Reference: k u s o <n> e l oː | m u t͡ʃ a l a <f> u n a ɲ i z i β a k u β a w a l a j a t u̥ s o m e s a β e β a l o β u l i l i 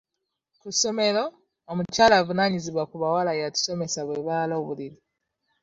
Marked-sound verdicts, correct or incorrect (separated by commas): incorrect, incorrect